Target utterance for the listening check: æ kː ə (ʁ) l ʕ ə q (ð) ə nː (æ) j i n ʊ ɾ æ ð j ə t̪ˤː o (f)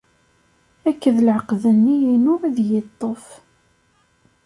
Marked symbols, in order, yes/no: no, yes, no, yes

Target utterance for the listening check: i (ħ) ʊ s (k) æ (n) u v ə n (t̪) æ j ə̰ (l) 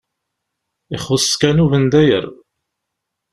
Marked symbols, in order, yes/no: no, yes, yes, no, no

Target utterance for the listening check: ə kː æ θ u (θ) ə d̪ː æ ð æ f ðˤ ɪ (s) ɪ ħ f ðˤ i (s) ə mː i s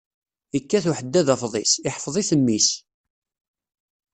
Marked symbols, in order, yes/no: no, yes, no

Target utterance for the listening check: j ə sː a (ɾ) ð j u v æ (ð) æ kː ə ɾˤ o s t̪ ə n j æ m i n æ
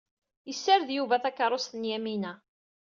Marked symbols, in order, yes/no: yes, no

